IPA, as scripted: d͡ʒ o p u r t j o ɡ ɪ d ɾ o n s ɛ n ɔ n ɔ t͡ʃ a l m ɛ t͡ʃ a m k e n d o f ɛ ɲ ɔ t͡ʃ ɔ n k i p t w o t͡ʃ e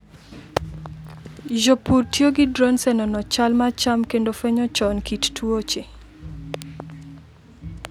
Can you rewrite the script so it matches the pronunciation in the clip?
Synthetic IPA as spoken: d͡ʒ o p u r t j o ɡ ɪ d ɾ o n s ɛ n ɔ n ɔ t͡ʃ a l m a t͡ʃ a m k e n d o f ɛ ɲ ɔ t͡ʃ ɔ n k i t t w o t͡ʃ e

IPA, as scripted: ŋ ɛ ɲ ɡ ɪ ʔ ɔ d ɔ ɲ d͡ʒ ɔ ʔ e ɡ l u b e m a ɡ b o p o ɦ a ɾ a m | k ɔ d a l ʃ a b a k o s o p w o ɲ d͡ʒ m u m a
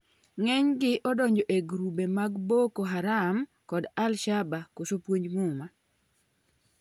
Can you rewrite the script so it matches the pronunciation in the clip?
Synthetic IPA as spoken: ŋ ɛ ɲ ɡ ɪ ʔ ɔ d ɔ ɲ d͡ʒ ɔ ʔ e ɡ ɾ u b e m a ɡ b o k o ɦ a ɾ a m | k ɔ d a l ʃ a b a k o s o p w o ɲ d͡ʒ m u m a

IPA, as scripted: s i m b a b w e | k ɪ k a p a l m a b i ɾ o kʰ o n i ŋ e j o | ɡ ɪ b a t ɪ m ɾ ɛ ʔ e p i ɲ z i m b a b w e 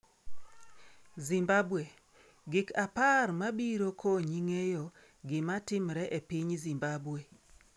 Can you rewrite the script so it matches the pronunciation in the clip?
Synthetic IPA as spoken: z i m b a b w e | ɡ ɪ k a p a r m a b i ɾ o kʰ o ɲ i ŋ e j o | ɡ ɪ m a t ɪ m ɾ ɛ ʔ e p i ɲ z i m b a b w e

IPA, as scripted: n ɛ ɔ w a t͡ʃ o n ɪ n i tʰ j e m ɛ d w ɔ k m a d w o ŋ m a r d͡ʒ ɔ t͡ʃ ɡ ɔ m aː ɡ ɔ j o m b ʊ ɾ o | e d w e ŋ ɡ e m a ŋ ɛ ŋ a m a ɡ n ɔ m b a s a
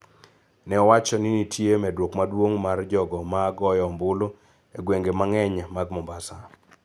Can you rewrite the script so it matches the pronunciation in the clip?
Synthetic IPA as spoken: n ɛ ɔ w a t͡ʃ ɔ n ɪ n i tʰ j e m ɛ d w o k m a d w o ŋ m a r d͡ʒ ɔ ɡ ɔ m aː ɡ ɔ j ɔ m b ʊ l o | e ɡ w e ŋ ɡ e m a ŋ ɛ ɲ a m a ɡ m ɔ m b a s a

